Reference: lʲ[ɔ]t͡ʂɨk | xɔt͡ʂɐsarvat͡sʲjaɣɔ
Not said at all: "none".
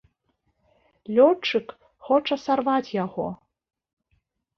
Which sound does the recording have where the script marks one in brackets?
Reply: ɔ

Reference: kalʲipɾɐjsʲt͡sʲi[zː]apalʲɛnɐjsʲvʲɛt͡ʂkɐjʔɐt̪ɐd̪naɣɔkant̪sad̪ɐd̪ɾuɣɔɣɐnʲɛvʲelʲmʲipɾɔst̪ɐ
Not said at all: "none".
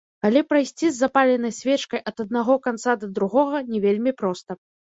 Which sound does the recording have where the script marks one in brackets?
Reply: zː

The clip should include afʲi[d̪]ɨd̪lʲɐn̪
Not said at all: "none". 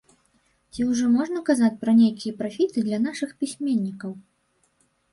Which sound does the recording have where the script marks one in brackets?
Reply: t̪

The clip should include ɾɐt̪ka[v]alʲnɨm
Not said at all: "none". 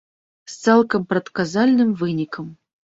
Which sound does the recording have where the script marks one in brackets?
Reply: z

